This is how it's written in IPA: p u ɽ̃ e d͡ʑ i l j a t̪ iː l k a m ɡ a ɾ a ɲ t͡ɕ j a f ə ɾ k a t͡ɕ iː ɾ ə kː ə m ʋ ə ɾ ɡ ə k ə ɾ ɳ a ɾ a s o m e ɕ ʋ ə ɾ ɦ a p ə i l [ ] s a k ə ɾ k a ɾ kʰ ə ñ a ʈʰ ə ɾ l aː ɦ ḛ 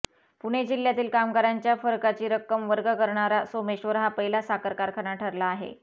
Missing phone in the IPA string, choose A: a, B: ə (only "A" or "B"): A